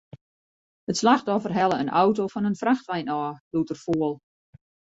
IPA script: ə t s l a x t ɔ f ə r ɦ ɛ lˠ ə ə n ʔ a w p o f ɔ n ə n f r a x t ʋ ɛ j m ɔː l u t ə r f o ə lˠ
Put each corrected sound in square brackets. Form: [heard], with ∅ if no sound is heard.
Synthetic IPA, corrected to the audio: ə t s l a x t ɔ f ə r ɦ ɛ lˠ ə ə n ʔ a w [t] o f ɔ n ə n f r a x t ʋ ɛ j [n] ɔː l u t ə r f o ə lˠ